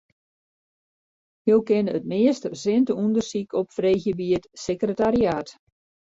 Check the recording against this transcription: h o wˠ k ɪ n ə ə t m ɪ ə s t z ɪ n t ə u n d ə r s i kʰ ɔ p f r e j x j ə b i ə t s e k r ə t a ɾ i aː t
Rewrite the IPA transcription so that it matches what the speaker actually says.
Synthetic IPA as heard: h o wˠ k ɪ n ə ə t m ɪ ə s t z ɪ n t ə u n d ə r s i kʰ ɔ p f r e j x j ə b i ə t s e k r ə t a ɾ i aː t

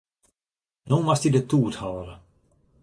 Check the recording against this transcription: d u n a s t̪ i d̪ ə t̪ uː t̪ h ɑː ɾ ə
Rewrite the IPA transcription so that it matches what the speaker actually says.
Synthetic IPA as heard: n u m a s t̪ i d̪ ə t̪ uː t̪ h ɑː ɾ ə

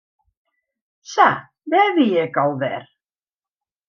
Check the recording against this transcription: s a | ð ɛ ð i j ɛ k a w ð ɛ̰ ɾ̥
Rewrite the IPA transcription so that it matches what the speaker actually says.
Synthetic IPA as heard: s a | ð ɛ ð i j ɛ k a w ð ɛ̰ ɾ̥

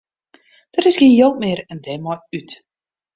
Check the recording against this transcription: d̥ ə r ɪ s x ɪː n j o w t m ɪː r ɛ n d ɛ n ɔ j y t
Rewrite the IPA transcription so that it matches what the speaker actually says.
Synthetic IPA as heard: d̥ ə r ɪ s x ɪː n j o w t m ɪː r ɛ n d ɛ m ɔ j y t

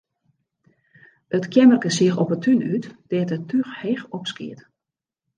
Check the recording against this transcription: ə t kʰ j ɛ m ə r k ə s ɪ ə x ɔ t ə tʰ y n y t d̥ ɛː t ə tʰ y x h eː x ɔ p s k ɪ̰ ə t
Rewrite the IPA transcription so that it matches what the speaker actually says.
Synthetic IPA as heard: ə t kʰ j ɛ m ə r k ə s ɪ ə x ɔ p ə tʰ y n y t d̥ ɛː t ə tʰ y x h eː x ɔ p s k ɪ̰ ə t

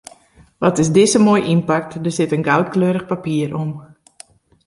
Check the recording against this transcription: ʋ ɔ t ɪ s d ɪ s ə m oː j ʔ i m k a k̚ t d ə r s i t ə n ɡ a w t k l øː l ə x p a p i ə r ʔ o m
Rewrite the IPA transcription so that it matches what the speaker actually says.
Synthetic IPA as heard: ʋ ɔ t ɪ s d ɪ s ə m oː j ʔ i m p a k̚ t d ə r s ɪ t ə n ɡ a w t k l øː ɾ ə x p a p i ə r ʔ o m

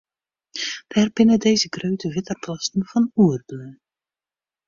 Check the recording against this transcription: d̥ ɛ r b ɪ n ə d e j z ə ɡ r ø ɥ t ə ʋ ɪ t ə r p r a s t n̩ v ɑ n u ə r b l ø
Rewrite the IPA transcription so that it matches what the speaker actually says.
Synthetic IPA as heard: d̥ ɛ r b ɪ n ə d e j z ə ɡ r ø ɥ t ə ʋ ɪ t ə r p l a s t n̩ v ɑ n u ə r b l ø

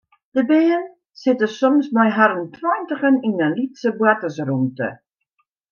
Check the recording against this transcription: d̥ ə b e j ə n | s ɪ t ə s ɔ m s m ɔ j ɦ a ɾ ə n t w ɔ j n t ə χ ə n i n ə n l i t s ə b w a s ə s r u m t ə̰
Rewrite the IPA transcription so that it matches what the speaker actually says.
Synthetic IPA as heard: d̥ ə b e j ə n | s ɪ t ə s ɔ m s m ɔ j ɦ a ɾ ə n t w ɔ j n t ə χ ə n i n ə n l i t s ə b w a t ə s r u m t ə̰

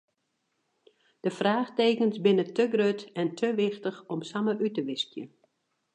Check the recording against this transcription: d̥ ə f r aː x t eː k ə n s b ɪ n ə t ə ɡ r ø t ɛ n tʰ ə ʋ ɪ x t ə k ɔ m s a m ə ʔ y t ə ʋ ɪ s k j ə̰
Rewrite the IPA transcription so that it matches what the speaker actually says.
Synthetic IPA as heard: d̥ ə f r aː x t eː k ə n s b ɪ n ə t ə ɡ r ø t ɛ n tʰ ə ʋ ɪ x t ə x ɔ m s a m ə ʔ y t ə ʋ ɪ s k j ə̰

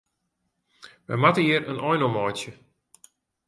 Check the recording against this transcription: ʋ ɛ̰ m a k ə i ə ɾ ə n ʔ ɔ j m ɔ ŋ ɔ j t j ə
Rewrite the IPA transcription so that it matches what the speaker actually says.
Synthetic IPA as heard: ʋ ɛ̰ m a t ə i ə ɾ ə n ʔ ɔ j n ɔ m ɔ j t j ə

